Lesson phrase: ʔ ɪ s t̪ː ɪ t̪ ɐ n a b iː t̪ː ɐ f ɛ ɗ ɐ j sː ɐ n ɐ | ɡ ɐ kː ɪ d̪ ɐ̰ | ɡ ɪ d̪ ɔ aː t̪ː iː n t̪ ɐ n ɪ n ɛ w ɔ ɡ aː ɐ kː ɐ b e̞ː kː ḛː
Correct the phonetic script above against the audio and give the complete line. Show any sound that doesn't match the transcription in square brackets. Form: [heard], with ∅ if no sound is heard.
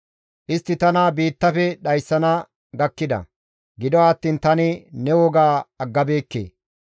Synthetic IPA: ʔ ɪ s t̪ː ɪ t̪ ɐ n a b iː t̪ː ɐ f ɛ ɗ ɐ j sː ɐ n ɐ | ɡ ɐ kː ɪ d̪ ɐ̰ | ɡ ɪ d̪ ɔ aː t̪ː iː n t̪ ɐ n ɪ n ɛ w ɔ ɡ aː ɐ [ɡː] ɐ b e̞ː kː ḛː

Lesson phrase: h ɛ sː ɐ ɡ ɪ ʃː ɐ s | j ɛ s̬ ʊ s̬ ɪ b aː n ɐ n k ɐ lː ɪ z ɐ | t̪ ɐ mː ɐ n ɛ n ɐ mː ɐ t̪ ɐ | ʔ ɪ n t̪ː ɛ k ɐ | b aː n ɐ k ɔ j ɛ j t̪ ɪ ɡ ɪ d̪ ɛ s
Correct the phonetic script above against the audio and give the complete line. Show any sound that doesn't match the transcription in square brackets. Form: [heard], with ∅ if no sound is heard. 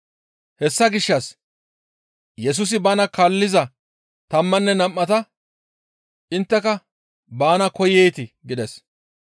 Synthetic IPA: h ɛ sː ɐ ɡ ɪ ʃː ɐ s | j ɛ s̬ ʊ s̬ ɪ b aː n ɐ [∅] k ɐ lː ɪ z ɐ | t̪ ɐ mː ɐ [nː] ɛ n ɐ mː ɐ t̪ ɐ | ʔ ɪ n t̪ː ɛ k ɐ | b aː n ɐ k ɔ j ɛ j t̪ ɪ ɡ ɪ d̪ ɛ s

